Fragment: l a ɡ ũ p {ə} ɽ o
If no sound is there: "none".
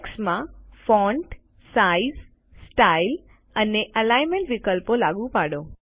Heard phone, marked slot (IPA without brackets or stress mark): a